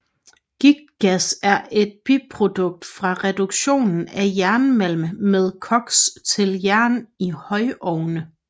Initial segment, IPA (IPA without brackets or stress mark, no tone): ɡ̥